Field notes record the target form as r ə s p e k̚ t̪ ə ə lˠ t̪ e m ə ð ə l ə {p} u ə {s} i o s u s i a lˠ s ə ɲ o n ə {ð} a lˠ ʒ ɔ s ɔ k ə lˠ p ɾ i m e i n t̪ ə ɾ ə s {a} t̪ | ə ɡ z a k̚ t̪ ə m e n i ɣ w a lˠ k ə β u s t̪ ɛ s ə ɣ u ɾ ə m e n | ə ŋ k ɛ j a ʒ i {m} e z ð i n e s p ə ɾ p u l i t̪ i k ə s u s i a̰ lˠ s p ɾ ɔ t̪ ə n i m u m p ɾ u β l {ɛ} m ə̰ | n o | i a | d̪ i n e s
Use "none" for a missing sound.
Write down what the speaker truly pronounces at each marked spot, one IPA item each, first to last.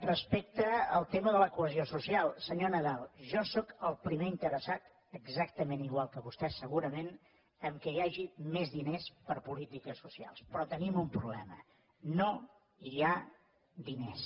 k, z, ð, a, m, ɛ

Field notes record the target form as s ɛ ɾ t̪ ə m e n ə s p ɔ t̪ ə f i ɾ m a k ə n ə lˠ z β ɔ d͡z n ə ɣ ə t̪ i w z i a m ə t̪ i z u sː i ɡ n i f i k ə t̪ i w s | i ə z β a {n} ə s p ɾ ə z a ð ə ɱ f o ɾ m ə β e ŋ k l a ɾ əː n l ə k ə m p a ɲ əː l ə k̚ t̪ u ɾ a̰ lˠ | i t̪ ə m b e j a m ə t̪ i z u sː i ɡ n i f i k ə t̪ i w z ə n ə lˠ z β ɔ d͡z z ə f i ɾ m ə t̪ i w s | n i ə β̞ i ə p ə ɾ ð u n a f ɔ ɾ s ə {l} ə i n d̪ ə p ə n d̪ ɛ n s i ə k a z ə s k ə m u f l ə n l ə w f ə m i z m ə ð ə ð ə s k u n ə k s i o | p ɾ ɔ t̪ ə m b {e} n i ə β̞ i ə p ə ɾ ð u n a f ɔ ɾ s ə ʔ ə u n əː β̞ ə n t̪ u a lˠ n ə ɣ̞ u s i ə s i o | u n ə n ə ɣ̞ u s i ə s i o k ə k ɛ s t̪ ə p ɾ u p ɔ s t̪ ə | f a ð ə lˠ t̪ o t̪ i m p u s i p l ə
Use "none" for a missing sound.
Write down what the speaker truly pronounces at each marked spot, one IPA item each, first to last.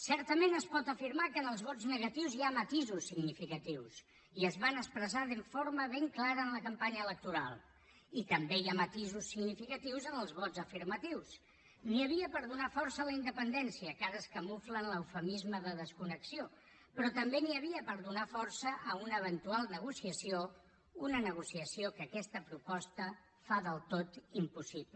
n, l, e

